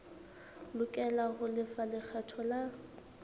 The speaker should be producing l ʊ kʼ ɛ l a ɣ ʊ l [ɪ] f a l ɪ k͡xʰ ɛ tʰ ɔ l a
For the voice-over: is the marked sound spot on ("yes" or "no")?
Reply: yes